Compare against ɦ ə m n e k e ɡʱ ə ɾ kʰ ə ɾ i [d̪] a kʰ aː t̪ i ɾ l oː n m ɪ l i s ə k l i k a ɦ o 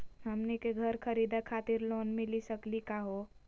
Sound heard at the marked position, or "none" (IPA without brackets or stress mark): d̪